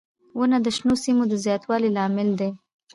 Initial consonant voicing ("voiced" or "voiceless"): voiced